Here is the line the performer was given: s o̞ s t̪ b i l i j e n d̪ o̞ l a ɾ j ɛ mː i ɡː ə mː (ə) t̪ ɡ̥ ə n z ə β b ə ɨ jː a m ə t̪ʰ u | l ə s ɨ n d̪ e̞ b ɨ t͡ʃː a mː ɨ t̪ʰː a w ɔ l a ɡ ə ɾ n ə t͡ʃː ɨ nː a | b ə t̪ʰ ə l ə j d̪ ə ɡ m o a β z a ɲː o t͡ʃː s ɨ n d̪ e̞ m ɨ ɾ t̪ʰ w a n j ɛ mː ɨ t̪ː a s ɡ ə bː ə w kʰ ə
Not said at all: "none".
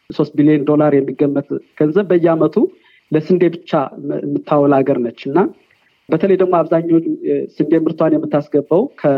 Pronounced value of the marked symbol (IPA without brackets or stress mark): ə